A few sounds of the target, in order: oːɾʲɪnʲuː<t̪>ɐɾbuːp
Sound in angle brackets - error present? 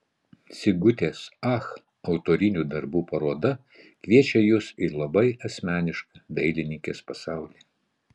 yes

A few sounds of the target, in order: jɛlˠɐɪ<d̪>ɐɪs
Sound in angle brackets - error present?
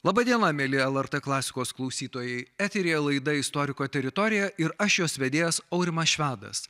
no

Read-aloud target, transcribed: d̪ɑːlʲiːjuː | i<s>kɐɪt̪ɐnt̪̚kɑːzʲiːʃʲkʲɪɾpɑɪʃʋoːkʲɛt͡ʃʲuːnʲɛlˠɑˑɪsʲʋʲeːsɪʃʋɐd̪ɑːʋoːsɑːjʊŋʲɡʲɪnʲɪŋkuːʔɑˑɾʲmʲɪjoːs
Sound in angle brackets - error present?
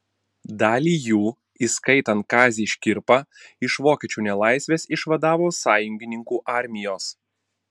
no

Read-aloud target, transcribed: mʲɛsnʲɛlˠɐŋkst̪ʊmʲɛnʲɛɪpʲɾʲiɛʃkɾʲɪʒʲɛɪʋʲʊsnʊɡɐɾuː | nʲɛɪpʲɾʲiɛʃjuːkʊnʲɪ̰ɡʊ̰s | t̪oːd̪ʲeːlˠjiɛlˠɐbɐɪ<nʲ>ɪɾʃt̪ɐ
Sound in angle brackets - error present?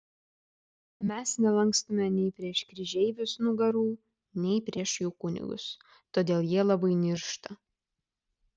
no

